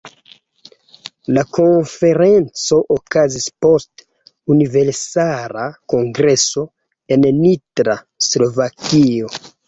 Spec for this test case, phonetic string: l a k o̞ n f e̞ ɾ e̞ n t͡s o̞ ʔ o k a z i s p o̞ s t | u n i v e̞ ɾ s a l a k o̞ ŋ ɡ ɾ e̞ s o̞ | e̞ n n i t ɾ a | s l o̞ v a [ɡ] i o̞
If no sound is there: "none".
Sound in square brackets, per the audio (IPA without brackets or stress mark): k